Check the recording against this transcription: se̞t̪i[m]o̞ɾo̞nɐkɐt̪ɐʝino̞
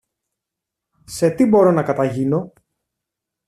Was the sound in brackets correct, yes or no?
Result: no